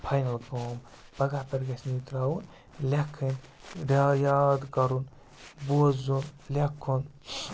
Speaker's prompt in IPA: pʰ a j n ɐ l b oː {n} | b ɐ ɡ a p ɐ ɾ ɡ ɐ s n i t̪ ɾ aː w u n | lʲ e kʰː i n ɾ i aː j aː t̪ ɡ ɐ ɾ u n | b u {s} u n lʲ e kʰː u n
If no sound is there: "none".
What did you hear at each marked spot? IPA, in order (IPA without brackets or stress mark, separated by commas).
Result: m, z